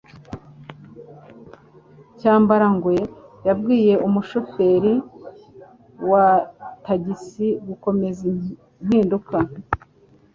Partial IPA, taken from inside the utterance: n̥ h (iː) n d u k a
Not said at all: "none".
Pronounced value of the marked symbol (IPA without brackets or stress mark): iː